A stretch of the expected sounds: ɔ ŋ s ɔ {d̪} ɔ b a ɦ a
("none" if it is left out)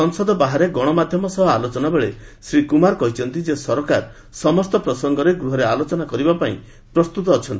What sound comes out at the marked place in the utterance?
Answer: d̪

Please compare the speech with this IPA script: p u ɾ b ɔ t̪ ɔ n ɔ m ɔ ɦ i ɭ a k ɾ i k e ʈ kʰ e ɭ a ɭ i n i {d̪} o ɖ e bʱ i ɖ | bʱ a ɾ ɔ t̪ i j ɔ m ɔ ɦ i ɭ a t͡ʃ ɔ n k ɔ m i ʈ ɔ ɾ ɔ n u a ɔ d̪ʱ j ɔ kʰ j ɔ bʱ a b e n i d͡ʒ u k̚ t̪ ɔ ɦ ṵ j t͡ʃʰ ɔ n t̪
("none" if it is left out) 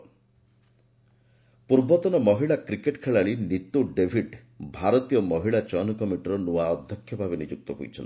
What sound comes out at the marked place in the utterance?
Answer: t̪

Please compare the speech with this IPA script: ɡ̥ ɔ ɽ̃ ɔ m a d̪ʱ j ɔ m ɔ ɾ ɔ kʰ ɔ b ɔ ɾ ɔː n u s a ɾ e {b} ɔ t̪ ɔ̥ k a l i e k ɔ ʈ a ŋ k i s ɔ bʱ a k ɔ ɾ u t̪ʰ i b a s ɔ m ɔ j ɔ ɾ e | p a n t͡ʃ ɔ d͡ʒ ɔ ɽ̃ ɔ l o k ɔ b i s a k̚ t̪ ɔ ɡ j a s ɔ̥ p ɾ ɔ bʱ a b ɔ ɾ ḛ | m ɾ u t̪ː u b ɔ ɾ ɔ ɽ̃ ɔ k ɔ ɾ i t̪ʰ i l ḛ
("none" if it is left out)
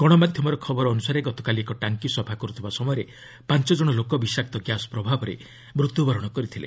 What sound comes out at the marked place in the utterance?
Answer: ɡ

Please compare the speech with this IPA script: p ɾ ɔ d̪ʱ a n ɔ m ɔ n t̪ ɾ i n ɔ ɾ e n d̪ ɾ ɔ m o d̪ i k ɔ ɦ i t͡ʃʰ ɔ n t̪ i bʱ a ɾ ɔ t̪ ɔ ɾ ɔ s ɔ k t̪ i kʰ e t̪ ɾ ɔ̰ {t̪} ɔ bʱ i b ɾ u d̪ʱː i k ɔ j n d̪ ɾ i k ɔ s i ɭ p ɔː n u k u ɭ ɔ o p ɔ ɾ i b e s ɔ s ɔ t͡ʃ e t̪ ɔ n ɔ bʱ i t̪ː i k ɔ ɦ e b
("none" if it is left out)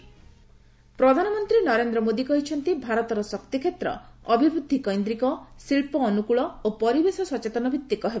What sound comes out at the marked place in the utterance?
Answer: none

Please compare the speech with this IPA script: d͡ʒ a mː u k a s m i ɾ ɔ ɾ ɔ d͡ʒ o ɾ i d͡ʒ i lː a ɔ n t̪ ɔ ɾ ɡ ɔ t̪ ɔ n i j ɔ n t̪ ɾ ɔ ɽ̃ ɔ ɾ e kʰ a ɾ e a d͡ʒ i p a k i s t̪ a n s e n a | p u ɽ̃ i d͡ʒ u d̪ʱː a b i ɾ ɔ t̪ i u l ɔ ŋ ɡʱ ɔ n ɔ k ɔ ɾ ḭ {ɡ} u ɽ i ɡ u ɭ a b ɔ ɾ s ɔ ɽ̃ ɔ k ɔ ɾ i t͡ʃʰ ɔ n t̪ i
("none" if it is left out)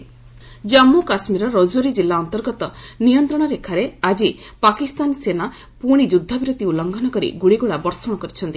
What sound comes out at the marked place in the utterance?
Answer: ɡ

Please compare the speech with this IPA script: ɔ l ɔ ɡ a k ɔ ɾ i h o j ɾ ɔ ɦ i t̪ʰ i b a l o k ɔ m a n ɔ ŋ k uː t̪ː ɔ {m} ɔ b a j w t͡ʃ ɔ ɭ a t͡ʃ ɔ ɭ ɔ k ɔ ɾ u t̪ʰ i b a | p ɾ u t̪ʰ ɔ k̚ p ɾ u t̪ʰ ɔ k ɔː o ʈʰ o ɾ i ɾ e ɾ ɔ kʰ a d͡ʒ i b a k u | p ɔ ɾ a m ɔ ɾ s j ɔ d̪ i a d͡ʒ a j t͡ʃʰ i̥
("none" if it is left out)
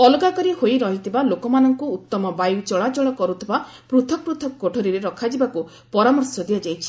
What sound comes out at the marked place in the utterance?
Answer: m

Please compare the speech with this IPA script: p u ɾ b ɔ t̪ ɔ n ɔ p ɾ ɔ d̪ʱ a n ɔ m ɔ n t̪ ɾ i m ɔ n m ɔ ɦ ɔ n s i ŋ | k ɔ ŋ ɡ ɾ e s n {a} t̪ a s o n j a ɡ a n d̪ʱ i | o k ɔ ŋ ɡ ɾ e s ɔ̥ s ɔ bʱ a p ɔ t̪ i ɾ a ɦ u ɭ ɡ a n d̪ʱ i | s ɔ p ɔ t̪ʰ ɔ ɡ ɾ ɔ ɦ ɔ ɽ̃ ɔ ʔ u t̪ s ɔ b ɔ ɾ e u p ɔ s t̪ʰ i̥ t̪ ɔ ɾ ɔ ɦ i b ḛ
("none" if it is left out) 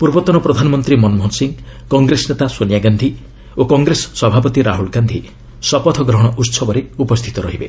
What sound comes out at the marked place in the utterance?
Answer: e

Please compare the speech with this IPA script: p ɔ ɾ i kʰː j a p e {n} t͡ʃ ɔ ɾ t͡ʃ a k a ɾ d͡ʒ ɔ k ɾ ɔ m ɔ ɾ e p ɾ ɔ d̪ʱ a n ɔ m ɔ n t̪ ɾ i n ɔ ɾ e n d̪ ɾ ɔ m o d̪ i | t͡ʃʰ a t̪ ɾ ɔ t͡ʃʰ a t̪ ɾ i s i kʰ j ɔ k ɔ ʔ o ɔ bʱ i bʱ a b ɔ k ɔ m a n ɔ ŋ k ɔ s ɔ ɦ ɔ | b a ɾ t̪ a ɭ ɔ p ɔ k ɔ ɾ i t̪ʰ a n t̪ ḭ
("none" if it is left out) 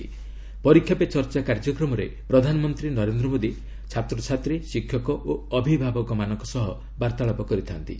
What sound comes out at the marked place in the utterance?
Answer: none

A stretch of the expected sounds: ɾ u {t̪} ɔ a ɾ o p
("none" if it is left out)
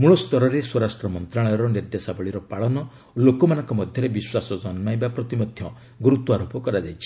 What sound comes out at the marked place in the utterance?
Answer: t̪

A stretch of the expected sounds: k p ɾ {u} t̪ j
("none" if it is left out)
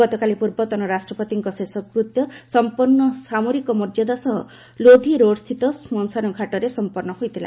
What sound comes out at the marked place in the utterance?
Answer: u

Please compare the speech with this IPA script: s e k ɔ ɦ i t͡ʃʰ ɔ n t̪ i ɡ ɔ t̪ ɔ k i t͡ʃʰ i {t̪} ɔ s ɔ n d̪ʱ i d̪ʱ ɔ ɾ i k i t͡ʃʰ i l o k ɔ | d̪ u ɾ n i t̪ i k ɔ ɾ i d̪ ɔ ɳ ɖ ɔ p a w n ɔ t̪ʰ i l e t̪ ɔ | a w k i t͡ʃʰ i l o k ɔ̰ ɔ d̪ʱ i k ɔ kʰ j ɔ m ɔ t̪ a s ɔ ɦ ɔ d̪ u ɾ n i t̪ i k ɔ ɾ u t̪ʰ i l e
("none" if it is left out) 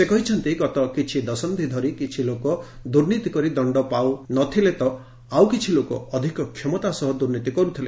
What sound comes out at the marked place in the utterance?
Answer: d̪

